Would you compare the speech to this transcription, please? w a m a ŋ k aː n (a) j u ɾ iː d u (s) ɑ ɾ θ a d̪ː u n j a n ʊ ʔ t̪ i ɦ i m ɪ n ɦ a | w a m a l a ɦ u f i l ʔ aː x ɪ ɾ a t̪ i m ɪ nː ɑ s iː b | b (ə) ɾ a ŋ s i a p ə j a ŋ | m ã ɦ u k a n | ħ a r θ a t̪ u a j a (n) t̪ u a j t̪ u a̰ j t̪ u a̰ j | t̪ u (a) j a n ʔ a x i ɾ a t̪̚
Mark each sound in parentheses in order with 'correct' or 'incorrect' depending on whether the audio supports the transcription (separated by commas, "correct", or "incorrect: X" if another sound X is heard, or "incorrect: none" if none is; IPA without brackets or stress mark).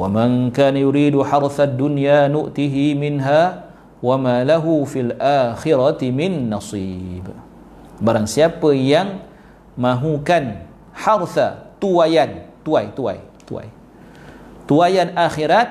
correct, incorrect: ħ, incorrect: a, correct, correct